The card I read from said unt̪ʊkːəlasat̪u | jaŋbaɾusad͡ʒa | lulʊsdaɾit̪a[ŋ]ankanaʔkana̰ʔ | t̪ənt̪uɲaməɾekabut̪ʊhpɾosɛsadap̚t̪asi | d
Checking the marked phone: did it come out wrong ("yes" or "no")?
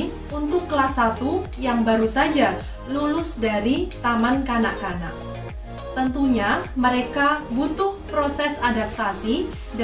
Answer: yes